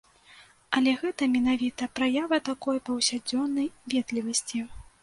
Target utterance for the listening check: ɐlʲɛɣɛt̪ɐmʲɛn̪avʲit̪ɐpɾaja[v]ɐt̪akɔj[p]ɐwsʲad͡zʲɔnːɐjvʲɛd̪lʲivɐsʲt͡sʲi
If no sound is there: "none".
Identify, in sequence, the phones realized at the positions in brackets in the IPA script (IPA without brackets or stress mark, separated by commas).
v, p